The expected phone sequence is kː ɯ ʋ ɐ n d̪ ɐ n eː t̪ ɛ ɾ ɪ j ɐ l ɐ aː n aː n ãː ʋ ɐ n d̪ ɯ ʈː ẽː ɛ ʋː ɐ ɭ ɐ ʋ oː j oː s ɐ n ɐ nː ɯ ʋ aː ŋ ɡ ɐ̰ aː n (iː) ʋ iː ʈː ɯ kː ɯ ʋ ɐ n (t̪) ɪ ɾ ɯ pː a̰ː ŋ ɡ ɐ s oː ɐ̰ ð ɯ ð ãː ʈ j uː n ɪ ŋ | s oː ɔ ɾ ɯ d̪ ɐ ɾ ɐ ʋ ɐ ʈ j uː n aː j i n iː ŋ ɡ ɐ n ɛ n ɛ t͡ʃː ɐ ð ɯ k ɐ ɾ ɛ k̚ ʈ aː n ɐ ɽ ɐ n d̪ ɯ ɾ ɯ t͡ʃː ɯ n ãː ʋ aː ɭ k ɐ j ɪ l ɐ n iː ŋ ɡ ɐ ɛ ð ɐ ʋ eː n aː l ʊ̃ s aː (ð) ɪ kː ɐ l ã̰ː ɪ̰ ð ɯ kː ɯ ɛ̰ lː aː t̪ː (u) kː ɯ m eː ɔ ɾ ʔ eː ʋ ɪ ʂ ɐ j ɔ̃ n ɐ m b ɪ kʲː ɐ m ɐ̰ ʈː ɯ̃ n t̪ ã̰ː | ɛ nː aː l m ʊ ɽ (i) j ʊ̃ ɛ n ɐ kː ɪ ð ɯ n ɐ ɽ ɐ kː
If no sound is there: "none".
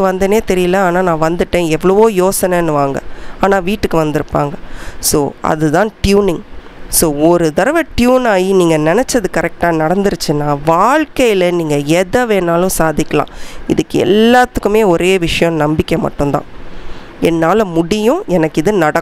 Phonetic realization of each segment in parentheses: aː, d̪, ð, ɯ, ɪ

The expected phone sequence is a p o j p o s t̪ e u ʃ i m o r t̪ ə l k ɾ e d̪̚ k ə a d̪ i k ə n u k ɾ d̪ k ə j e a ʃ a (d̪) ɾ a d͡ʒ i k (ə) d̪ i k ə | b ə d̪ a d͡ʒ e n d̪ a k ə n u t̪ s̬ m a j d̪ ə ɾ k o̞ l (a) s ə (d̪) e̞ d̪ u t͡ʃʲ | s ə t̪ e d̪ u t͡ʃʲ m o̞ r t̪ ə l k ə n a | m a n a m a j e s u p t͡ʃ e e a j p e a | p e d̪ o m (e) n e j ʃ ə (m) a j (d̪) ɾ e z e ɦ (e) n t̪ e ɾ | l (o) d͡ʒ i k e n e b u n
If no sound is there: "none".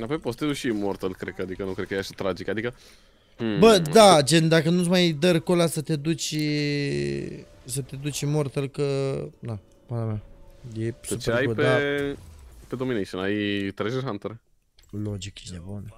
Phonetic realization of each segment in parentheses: t̪, a, a, t̪, i, n, t̪, a, o

